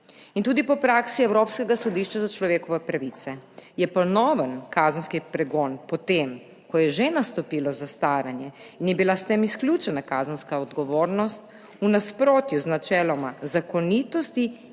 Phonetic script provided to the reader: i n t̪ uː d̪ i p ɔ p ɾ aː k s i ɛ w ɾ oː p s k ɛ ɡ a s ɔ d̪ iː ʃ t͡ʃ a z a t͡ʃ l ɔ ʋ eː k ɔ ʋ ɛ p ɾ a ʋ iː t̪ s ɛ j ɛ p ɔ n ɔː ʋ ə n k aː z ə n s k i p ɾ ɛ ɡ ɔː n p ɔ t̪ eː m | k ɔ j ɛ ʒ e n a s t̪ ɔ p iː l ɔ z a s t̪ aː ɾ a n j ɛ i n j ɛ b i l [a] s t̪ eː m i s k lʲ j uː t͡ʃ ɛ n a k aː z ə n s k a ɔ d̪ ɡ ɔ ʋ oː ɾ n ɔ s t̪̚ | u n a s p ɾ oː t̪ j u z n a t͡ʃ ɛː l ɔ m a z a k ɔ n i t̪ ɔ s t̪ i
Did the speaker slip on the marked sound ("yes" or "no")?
no